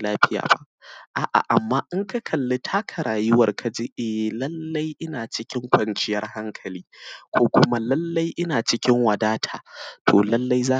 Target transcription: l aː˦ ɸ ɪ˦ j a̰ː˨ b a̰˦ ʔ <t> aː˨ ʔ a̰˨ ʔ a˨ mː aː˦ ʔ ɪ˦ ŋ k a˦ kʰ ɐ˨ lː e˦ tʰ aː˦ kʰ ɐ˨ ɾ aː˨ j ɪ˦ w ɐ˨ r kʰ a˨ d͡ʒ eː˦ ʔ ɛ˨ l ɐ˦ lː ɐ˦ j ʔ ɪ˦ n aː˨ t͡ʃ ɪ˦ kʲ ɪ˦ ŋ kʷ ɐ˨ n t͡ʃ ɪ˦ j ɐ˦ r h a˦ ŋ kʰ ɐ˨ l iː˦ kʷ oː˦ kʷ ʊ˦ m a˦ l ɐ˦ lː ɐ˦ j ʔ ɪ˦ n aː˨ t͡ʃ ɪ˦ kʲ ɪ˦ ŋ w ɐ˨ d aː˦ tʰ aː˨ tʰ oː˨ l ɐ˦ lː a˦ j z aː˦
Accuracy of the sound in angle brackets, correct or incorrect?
incorrect